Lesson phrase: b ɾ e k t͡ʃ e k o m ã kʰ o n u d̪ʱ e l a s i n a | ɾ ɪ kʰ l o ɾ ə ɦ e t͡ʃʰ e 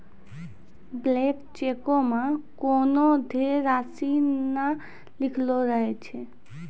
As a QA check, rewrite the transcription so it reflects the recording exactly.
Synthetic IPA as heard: b l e k t͡ʃ e k o m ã k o n o d̪ʱ e ɾ a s i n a | l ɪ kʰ l o ɾ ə ɦ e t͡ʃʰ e